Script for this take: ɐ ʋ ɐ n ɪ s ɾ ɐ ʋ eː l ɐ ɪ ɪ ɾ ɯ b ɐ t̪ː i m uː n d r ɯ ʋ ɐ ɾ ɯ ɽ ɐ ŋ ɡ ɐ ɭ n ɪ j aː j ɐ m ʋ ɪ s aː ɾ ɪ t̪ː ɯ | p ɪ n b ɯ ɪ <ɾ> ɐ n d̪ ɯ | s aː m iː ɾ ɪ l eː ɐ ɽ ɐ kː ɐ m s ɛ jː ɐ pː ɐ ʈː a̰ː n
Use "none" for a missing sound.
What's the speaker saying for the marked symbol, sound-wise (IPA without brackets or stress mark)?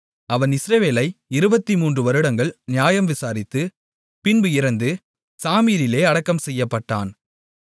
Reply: ɾ